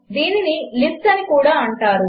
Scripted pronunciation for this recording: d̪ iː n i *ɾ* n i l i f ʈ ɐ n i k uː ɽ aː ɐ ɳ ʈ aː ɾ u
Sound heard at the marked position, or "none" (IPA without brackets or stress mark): none